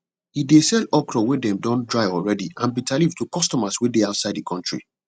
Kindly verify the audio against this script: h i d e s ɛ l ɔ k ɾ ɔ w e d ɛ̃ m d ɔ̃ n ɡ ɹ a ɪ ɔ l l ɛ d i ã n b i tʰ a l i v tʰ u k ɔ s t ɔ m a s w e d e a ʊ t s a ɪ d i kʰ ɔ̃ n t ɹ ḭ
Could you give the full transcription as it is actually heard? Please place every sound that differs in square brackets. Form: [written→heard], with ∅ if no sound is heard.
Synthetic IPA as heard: h i d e s ɛ l ɔ k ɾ ɔ w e d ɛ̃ m d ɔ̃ n [ɡ→d] ɹ a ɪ ɔ l [l→ɹ] ɛ d i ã n b i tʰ a l i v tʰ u k ɔ s t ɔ m a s w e d e a ʊ t s a ɪ d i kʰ ɔ̃ n t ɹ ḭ